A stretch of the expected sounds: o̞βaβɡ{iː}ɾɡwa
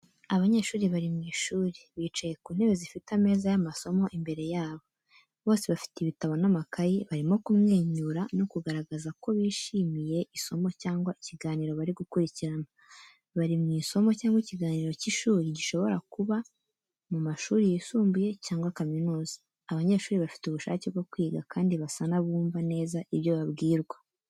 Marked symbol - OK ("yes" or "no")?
yes